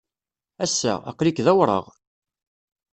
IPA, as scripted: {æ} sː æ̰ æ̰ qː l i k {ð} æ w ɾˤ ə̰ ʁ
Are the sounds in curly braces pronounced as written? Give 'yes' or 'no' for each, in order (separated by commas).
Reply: yes, yes